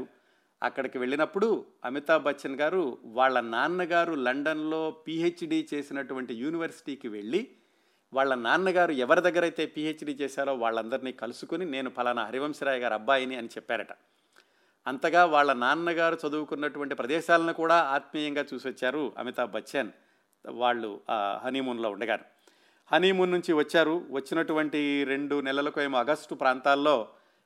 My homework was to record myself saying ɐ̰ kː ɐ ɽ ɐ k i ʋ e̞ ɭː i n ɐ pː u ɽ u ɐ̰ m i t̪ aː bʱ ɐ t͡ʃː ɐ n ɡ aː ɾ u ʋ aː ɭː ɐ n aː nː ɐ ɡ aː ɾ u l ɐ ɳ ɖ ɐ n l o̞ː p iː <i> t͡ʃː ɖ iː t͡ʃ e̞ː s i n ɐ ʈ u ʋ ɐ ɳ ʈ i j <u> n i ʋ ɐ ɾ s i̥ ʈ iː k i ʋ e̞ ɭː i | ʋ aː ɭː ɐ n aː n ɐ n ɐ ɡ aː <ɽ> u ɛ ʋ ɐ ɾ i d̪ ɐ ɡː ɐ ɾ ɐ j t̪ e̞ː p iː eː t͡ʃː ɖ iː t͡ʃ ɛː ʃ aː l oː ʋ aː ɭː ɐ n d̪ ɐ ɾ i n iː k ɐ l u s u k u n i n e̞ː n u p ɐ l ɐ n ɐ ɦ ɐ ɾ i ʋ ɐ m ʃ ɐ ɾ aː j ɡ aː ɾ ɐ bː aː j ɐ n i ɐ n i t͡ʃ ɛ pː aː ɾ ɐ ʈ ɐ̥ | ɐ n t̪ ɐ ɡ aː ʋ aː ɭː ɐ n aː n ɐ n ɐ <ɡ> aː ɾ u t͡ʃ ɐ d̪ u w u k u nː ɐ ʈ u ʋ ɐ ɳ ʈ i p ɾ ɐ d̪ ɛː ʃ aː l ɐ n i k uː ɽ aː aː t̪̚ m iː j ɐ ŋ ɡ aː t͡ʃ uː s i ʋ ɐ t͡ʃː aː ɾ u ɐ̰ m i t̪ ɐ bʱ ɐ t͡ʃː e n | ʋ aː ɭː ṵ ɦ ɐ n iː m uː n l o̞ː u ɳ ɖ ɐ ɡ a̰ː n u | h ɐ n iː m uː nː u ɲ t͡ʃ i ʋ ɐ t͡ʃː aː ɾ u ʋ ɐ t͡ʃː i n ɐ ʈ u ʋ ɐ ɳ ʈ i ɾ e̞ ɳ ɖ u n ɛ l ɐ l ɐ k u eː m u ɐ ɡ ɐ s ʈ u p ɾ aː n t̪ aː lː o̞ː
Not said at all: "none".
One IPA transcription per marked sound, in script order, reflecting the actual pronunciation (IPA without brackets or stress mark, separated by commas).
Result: e, uː, ɾ, ɡ